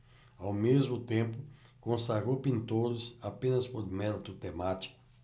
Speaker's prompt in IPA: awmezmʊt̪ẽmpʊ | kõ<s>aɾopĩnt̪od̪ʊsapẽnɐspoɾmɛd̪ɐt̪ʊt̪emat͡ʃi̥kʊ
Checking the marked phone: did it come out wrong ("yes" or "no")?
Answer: no